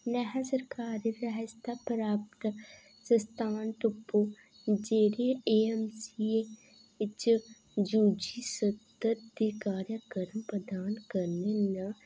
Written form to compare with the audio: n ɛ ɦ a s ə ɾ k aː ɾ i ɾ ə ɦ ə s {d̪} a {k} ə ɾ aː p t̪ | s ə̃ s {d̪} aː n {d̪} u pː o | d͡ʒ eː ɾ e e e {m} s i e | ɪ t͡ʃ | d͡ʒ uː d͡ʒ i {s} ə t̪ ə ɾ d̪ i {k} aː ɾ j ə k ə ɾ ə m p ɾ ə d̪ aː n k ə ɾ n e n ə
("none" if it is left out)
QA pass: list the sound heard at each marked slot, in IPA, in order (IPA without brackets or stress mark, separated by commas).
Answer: t̪, p, t̪, t̪, m, s, k